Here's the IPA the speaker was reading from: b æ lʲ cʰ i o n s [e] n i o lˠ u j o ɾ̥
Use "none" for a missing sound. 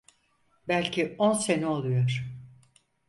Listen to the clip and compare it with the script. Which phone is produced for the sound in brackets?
e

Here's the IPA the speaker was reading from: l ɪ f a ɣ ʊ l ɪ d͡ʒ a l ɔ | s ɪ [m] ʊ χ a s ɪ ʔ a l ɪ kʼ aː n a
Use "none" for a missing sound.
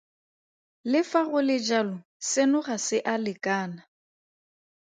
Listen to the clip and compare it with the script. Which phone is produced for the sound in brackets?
n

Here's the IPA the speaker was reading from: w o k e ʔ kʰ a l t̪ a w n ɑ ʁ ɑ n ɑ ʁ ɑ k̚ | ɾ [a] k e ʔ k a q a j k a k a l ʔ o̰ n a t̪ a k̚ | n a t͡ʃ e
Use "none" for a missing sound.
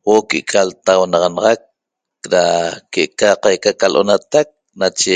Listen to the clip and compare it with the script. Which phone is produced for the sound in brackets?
a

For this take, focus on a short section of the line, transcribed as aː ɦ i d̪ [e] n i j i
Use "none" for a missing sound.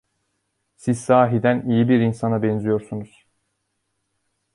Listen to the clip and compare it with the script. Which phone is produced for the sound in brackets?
æ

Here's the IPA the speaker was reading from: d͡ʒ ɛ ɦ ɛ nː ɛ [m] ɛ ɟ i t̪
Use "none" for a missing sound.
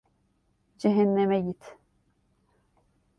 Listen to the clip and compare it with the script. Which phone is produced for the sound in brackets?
m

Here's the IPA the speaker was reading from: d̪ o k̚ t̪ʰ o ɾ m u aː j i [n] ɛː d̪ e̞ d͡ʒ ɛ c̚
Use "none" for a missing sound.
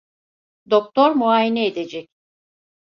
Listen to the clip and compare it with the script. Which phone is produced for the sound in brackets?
n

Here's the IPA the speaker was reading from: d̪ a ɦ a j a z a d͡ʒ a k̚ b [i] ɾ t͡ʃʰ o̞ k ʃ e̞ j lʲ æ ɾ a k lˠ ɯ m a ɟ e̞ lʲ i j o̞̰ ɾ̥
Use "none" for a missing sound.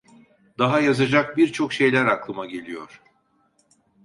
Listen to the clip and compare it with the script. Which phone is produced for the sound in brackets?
i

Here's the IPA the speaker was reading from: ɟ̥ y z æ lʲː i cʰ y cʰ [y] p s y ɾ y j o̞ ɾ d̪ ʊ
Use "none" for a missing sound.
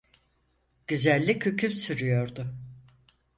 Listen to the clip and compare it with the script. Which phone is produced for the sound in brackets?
y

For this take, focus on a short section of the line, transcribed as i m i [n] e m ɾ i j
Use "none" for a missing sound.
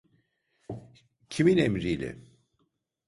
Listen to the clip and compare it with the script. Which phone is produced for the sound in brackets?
n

